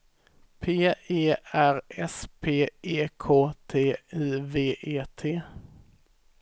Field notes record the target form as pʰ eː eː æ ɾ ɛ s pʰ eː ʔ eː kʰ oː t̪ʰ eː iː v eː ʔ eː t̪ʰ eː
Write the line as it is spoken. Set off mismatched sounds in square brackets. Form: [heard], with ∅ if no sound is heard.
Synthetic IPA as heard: pʰ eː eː æ ɾ ɛ s pʰ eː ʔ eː kʰ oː t̪ʰ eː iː v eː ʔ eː t̪ʰ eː